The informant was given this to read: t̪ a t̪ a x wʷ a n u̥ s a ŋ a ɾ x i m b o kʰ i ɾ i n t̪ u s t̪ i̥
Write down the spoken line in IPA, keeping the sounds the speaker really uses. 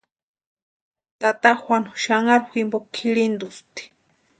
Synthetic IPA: t̪ a t̪ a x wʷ a n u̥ ʃ a ŋ a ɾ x i m b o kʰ i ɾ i n d̪ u s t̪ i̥